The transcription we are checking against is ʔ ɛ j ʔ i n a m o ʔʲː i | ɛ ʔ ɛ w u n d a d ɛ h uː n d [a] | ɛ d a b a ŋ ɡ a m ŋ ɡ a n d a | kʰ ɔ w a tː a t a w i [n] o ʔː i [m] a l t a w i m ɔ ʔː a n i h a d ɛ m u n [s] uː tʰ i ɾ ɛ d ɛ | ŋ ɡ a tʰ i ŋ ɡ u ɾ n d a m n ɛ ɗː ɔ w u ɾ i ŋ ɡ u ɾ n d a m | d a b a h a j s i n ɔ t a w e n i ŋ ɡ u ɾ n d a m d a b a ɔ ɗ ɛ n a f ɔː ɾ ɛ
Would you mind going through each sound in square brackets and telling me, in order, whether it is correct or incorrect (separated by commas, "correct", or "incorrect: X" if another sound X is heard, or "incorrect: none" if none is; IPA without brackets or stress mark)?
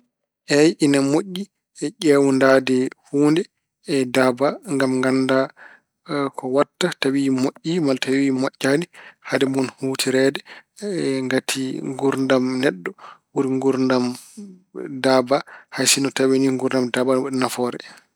incorrect: ɛ, incorrect: m, correct, incorrect: h